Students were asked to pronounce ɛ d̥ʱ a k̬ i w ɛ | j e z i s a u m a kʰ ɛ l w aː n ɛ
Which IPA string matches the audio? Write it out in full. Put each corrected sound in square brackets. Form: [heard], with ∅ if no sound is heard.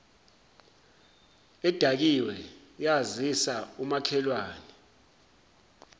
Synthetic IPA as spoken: ɛ d̥ʱ a k̬ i w ɛ | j [a] z i s a u m a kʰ ɛ l w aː n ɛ